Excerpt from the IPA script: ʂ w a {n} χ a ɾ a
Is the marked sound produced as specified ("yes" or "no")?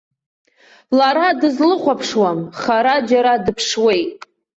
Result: no